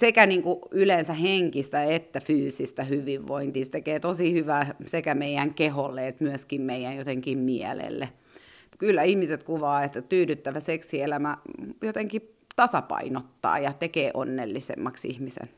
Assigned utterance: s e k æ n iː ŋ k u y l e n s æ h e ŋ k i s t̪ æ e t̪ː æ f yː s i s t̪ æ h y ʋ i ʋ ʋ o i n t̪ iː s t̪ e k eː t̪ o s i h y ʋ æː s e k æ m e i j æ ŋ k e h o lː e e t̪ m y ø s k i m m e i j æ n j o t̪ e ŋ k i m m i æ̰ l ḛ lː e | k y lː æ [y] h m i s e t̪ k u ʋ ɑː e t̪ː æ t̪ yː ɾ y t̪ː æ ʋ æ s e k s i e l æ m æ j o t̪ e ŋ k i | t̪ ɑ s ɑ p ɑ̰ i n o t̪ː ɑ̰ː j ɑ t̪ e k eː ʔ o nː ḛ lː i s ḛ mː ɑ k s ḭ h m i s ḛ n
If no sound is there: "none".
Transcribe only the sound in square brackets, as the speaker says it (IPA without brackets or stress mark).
i